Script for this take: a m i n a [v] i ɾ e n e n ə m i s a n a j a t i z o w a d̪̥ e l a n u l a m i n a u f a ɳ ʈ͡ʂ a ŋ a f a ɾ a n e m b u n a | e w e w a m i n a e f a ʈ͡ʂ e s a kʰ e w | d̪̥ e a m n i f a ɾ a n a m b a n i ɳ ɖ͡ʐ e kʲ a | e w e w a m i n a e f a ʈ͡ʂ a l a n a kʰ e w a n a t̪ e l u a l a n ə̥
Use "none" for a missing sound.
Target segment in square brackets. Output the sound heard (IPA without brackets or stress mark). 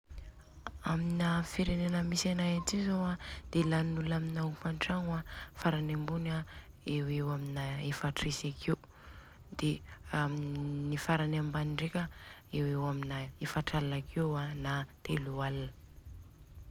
f